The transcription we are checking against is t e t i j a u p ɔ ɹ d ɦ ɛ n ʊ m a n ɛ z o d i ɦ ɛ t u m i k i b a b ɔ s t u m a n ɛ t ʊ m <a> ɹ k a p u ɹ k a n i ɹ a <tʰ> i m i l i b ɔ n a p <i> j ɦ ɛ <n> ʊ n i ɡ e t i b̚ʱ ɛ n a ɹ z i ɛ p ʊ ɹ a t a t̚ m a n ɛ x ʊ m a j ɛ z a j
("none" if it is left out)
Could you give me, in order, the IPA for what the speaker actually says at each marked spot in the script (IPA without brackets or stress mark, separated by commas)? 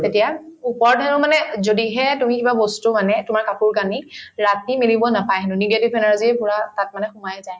a, t, a, n